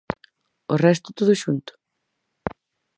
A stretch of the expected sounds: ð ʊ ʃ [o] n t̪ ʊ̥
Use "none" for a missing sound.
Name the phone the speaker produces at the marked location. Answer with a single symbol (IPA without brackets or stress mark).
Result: u